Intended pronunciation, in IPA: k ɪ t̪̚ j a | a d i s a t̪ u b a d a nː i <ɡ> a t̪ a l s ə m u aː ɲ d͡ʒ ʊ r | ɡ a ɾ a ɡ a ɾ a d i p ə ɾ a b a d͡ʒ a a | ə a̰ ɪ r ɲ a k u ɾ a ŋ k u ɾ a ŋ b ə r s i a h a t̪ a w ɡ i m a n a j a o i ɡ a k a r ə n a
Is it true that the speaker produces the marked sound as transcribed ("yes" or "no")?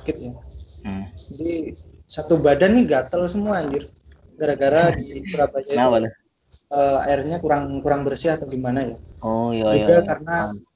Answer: yes